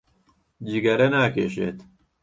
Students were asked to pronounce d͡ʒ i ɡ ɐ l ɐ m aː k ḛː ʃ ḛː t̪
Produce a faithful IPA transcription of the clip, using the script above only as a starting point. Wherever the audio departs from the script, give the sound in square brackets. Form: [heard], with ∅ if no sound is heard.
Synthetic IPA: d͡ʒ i ɡ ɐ [ɾ] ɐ [n] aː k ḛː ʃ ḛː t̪